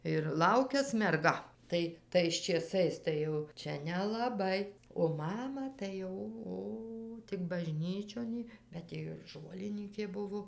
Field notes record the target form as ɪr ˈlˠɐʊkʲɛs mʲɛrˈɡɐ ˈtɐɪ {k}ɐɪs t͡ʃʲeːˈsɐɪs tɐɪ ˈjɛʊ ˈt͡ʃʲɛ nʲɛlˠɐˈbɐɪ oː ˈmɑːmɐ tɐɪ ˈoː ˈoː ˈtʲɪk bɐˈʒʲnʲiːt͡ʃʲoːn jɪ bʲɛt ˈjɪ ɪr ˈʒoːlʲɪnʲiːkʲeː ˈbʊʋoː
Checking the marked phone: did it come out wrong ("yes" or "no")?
yes